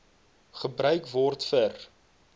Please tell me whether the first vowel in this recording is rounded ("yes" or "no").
no